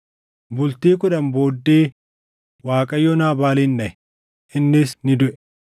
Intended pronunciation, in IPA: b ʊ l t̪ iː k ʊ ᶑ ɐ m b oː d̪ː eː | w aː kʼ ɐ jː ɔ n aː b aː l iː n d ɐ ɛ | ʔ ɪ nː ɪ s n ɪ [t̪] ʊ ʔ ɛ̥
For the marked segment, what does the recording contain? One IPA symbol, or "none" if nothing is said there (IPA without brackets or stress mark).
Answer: d̪